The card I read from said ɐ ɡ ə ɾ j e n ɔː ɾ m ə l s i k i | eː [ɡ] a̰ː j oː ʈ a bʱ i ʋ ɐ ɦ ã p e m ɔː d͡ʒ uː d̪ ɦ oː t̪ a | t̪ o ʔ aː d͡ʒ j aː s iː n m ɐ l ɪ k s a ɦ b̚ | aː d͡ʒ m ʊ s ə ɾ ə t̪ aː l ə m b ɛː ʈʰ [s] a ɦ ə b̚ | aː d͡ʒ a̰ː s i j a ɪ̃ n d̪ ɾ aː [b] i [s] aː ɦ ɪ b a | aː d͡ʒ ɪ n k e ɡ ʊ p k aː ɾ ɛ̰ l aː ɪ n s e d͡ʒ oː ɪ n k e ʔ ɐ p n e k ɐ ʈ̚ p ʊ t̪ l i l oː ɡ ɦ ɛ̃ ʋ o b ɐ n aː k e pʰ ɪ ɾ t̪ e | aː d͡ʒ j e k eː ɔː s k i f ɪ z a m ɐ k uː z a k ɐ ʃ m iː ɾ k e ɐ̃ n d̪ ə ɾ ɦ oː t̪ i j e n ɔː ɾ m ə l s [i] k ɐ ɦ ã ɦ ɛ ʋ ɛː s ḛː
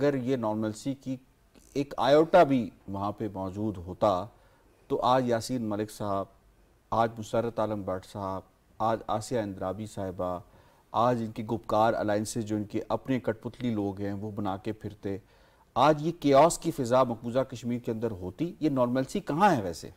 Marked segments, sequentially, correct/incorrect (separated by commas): incorrect, correct, correct, correct, correct